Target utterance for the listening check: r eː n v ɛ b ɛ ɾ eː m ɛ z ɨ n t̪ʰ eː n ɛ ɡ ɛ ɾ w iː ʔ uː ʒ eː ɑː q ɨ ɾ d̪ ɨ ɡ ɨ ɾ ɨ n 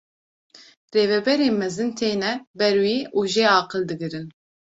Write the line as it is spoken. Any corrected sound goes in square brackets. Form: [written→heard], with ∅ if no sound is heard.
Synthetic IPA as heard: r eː [n→∅] v ɛ b ɛ ɾ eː m ɛ z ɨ n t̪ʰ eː n ɛ [ɡ→b] ɛ ɾ w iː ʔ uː ʒ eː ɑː q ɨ [ɾ→l] d̪ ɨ ɡ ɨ ɾ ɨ n